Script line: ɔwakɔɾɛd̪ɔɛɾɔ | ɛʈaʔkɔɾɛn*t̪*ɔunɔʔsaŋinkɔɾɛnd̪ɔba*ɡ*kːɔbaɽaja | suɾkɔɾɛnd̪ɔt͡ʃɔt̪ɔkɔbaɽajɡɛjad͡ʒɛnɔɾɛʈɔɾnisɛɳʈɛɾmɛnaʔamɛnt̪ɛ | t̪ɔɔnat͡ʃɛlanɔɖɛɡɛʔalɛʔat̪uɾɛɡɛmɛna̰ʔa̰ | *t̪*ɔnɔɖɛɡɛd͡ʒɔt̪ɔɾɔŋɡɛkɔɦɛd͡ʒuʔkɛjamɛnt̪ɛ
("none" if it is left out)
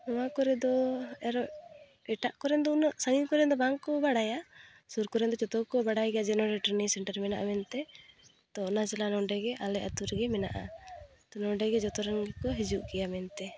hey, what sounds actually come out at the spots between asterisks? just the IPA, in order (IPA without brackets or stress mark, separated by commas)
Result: d̪, ŋ, t̪